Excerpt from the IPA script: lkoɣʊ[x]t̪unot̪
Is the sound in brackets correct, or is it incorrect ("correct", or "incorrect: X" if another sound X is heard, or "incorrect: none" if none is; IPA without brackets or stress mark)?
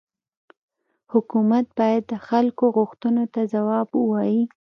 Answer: correct